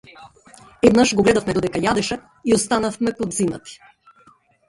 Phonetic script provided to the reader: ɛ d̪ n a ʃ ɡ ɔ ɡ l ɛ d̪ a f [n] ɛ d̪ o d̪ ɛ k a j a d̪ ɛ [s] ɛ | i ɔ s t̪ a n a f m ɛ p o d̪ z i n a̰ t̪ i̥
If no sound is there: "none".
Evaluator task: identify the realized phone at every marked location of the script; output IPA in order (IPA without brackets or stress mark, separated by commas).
m, ʃ